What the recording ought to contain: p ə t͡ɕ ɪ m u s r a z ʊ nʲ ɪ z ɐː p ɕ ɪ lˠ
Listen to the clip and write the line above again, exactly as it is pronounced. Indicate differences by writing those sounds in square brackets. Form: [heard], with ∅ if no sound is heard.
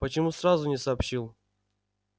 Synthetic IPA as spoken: p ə t͡ɕ ɪ m u s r a z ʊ nʲ ɪ [s] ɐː p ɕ [i] lˠ